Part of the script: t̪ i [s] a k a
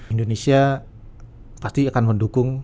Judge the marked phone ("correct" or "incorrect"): incorrect